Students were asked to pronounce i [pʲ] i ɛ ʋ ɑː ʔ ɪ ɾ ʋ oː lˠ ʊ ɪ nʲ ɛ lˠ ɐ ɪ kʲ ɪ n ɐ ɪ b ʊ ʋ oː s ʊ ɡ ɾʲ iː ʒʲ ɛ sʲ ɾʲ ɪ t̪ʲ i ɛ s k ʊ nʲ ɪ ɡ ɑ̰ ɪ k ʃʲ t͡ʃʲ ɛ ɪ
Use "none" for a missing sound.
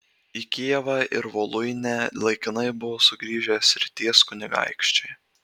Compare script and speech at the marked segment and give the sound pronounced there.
kʲ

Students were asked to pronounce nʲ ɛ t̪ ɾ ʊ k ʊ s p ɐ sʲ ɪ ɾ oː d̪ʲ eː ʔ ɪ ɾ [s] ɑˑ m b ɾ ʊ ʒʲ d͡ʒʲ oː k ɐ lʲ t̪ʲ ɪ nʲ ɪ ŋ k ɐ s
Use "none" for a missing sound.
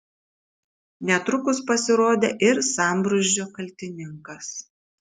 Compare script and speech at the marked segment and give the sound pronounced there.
s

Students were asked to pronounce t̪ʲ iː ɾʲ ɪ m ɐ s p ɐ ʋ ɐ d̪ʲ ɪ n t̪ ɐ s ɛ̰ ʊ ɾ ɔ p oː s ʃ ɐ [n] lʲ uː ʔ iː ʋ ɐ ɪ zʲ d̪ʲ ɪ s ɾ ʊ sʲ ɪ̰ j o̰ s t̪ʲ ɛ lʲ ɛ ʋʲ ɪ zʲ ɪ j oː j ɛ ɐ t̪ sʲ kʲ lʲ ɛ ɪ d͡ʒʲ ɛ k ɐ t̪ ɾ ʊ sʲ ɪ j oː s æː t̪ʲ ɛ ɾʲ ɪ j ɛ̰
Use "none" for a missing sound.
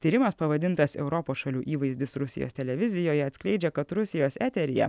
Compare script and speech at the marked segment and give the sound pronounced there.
none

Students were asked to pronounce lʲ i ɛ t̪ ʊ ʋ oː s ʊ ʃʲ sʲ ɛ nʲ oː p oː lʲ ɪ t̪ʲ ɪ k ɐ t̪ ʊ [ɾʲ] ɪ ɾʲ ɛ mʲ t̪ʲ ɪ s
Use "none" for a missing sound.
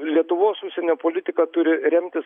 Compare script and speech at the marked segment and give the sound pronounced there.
ɾʲ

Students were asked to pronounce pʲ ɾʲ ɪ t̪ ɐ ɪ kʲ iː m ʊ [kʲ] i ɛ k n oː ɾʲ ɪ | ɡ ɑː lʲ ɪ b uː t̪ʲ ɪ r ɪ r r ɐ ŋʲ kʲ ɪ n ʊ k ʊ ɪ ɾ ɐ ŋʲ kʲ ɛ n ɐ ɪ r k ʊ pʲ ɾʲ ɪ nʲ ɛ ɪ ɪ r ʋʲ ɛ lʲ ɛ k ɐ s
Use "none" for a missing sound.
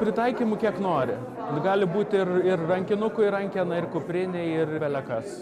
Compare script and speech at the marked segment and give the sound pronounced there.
kʲ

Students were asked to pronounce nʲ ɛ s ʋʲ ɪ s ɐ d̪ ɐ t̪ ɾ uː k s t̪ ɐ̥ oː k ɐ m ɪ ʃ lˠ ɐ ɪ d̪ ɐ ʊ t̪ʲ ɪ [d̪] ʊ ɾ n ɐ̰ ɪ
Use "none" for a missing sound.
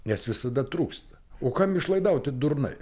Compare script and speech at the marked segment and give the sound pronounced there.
d̪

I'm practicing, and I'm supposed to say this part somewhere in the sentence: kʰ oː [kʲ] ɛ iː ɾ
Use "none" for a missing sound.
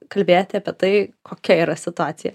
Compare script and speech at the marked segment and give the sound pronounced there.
kʲ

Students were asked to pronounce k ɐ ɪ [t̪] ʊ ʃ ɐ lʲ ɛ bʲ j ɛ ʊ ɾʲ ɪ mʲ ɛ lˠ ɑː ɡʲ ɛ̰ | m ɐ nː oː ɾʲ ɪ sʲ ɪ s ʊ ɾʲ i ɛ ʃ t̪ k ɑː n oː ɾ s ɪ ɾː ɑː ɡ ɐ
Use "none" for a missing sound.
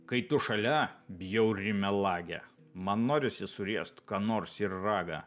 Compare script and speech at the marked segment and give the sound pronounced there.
t̪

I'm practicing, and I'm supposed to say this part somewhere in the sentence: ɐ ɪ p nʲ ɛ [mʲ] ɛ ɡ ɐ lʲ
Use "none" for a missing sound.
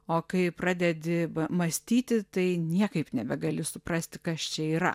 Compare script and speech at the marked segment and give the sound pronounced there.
bʲ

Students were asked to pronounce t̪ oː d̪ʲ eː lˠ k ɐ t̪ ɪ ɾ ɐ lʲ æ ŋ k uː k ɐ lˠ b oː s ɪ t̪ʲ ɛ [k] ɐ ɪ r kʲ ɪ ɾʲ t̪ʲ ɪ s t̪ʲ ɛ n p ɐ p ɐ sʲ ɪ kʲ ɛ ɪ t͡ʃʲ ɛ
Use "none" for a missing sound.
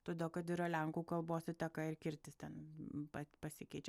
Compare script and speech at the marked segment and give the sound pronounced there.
k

